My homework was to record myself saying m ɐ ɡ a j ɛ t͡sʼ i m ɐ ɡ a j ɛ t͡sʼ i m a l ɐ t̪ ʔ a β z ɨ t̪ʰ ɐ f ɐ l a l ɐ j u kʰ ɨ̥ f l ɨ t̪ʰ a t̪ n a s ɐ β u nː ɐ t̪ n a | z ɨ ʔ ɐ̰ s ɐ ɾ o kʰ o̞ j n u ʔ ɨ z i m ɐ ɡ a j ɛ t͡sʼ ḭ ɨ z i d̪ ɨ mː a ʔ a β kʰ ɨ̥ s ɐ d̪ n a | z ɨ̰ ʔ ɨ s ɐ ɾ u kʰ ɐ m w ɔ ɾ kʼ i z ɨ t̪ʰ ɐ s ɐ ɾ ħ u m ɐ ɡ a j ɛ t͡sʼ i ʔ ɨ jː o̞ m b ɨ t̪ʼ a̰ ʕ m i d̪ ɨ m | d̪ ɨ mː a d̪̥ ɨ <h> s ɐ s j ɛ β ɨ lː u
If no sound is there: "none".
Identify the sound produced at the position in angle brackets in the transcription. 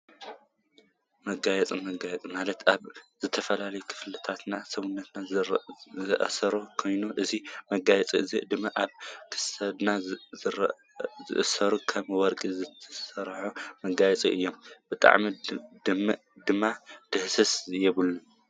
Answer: h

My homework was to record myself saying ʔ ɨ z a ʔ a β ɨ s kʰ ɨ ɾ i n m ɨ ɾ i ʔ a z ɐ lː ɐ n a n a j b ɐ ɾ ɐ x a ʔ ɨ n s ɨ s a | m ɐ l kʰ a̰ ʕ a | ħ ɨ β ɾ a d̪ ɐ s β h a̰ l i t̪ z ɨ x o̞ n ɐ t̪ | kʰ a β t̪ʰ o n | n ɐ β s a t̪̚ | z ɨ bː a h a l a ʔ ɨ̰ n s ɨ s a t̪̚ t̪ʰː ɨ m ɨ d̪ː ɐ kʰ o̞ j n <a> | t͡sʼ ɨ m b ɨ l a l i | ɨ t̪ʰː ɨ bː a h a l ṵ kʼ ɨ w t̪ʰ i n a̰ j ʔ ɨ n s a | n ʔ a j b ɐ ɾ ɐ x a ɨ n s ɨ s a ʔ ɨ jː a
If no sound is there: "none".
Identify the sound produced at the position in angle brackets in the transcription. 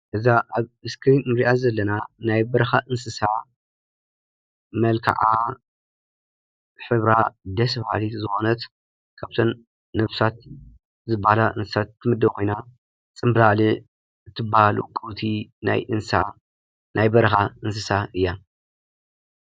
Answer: a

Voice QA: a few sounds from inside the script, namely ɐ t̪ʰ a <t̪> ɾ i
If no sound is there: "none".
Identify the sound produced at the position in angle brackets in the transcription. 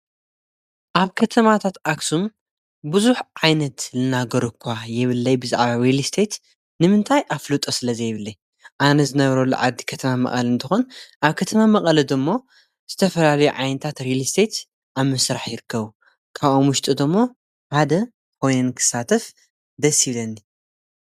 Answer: t̪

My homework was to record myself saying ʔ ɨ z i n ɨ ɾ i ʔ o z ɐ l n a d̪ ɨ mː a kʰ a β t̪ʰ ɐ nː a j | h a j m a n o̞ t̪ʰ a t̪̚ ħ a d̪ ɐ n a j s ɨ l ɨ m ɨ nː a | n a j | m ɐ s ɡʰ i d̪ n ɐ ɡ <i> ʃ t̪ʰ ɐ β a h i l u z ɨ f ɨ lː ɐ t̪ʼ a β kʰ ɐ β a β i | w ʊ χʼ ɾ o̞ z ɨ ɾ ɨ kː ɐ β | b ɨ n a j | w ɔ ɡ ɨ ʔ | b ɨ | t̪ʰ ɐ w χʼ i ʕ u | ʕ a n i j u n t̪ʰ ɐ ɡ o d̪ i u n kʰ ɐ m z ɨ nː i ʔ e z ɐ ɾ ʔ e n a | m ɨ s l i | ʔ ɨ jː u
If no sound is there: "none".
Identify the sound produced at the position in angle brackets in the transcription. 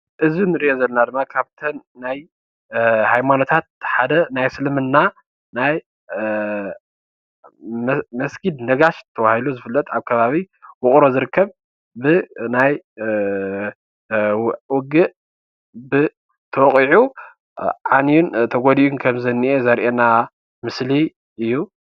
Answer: a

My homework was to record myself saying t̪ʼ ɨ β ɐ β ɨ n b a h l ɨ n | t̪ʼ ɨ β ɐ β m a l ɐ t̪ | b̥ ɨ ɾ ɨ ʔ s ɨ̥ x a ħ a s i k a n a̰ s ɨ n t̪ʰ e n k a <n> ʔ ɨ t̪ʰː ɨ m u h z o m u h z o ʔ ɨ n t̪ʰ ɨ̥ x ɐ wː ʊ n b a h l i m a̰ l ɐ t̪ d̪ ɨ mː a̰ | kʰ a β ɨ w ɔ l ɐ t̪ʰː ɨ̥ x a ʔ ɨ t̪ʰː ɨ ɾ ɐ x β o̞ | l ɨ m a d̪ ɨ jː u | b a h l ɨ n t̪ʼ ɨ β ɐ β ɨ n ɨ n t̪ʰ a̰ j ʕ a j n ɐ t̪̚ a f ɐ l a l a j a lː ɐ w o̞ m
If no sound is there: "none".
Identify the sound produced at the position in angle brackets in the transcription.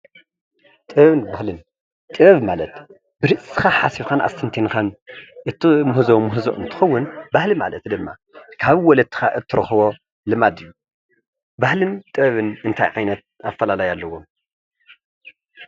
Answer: n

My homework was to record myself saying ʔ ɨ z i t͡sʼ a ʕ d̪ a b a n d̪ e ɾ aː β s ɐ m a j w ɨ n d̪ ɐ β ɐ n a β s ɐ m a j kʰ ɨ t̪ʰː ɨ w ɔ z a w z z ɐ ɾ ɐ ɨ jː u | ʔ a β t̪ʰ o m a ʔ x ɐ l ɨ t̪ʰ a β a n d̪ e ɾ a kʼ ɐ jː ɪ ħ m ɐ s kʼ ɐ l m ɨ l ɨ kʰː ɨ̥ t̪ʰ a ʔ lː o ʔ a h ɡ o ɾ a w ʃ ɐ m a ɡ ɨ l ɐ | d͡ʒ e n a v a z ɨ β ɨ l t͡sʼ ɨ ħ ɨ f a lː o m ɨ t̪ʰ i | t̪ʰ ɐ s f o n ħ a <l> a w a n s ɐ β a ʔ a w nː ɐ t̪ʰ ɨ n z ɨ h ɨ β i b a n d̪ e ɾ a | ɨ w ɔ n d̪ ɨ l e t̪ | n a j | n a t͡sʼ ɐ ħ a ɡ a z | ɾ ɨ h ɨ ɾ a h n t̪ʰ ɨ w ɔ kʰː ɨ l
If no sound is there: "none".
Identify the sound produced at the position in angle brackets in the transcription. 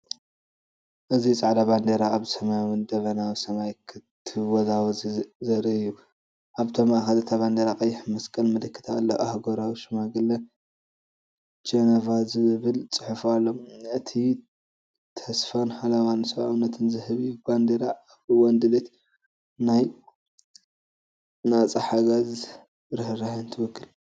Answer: l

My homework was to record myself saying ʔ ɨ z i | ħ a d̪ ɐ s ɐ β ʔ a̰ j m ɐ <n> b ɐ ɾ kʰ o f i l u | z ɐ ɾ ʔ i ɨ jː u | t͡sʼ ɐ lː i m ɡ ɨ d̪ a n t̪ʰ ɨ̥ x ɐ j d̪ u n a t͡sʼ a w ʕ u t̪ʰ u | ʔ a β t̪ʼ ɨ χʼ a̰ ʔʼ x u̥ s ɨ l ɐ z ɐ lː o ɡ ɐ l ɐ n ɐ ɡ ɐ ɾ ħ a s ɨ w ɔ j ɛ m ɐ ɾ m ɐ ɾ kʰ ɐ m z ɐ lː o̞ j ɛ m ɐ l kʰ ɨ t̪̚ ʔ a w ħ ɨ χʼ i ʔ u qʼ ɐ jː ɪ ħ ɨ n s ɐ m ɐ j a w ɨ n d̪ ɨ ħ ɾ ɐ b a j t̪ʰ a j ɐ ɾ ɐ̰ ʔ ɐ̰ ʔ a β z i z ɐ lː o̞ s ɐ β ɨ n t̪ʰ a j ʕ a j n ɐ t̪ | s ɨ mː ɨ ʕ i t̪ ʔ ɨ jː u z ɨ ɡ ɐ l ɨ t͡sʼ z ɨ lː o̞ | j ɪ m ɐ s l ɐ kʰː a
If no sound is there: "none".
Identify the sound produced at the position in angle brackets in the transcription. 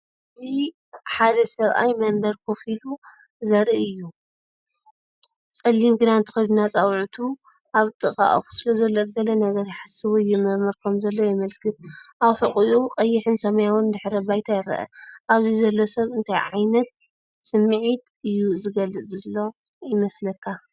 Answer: m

